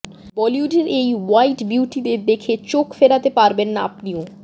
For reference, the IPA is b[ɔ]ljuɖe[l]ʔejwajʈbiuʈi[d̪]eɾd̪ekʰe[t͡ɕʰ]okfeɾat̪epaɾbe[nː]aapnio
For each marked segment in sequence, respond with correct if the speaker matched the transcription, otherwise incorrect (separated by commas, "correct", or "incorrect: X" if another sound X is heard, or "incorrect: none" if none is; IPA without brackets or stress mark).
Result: correct, incorrect: ɾ, correct, incorrect: t͡ɕ, correct